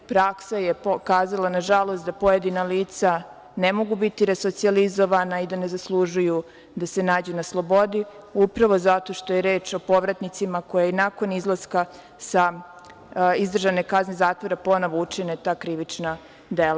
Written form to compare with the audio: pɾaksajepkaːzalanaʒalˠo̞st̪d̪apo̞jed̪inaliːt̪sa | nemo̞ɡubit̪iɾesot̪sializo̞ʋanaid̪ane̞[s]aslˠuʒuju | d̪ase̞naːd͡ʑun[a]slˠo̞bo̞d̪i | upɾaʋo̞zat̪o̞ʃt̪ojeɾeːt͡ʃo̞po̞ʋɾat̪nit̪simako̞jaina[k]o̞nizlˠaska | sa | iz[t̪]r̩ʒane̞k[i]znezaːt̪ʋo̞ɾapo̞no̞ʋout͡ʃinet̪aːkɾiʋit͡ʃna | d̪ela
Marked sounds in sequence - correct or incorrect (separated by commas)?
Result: incorrect, correct, correct, incorrect, incorrect